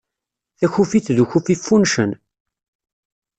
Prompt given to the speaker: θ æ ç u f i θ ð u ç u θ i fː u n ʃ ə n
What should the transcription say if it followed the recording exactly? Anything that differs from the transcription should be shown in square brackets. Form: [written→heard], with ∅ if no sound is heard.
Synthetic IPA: θ æ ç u f i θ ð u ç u [θ→f] i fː u n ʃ ə n